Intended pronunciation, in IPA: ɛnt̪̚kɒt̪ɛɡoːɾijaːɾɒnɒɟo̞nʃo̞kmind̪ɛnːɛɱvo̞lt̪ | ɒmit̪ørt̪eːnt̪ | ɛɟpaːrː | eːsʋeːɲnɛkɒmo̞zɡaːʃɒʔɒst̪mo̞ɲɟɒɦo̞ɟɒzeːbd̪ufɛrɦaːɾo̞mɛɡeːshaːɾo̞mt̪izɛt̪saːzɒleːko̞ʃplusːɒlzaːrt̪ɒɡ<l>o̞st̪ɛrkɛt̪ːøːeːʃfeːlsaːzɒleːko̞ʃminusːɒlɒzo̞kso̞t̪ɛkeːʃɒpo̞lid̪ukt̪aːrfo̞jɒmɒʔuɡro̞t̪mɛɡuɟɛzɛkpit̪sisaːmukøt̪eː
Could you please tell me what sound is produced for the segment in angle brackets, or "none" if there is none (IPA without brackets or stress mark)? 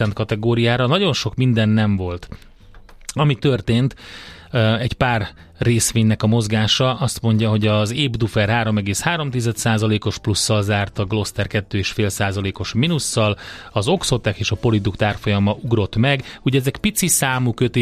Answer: l